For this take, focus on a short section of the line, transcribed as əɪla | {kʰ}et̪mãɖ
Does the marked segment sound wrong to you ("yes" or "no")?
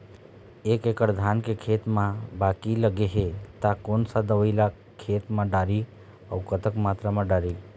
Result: no